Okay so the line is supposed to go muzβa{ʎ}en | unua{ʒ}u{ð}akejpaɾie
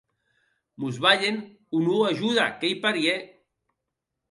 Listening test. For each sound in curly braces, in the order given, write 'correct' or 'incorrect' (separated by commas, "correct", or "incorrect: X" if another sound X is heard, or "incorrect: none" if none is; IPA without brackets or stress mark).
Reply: correct, correct, correct